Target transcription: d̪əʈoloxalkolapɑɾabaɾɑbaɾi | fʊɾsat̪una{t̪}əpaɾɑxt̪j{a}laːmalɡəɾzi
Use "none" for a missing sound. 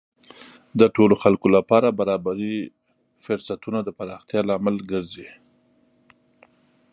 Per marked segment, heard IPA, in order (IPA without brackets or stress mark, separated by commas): d̪, ɑ